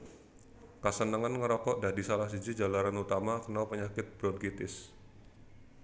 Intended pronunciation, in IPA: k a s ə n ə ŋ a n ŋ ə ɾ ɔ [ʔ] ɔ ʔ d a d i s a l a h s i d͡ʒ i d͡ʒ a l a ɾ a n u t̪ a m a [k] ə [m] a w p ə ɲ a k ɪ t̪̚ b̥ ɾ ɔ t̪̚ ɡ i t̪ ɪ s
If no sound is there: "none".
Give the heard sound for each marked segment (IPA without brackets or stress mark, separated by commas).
k, k, n